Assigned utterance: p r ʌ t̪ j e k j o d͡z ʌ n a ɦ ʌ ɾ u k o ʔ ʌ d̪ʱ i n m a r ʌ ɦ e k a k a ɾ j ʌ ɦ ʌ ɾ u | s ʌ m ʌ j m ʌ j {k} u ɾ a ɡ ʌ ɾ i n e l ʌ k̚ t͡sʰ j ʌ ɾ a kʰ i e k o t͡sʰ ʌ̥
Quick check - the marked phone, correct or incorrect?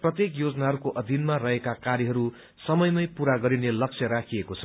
incorrect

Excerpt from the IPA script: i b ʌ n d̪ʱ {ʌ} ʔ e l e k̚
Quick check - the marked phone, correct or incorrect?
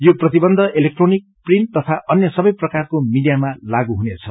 correct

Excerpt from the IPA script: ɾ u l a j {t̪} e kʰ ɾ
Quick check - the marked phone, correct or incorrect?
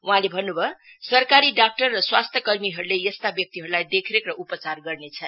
incorrect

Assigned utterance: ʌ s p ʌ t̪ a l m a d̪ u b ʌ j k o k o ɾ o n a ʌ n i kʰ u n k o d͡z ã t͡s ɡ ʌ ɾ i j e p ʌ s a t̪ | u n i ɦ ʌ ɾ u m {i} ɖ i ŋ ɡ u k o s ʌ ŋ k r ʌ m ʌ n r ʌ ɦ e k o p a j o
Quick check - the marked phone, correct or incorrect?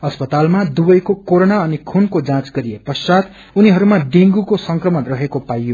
incorrect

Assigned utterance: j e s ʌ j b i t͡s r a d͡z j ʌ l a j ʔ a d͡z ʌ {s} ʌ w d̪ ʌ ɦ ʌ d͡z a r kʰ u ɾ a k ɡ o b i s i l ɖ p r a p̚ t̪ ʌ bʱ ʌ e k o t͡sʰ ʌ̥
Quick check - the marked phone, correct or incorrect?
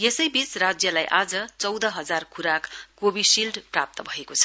incorrect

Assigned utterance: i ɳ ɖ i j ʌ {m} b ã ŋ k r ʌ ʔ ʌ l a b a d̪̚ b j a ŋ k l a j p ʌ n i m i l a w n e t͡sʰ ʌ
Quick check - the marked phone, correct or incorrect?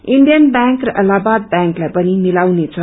incorrect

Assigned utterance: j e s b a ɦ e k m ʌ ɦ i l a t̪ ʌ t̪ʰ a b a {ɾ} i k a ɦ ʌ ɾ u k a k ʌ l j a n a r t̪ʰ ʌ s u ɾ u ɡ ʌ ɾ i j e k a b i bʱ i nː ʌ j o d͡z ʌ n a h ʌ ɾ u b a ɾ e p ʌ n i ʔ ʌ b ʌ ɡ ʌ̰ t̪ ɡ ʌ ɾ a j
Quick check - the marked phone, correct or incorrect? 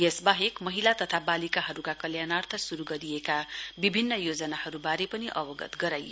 incorrect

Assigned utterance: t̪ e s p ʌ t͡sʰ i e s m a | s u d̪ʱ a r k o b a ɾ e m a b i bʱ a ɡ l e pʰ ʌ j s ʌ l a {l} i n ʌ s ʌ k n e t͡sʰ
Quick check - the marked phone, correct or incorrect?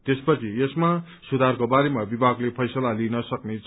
correct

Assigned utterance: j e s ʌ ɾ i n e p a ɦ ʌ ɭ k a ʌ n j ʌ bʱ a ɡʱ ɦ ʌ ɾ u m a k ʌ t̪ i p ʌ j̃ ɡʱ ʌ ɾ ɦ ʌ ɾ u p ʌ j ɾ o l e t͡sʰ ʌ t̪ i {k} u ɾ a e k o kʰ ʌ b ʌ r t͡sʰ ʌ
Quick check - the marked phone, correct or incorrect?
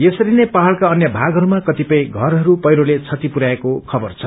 incorrect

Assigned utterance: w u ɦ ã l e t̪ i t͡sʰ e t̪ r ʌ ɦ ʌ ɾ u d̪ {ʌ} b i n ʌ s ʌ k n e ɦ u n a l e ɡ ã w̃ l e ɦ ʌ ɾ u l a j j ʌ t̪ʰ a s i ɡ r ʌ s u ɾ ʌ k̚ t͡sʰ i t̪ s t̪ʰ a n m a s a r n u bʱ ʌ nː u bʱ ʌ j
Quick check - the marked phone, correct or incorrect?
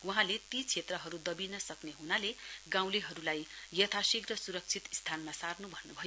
correct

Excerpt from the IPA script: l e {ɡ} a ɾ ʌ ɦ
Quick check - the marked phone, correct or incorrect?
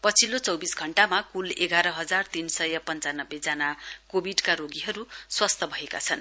correct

